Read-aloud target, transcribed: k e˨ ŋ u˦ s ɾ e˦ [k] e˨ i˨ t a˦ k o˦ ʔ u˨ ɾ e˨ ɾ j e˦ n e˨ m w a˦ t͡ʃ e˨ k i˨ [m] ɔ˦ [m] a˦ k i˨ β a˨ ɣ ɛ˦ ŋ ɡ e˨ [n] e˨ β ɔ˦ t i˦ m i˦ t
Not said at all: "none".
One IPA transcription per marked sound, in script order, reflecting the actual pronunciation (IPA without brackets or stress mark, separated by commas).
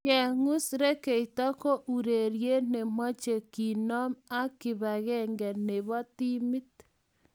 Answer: k, n, m, n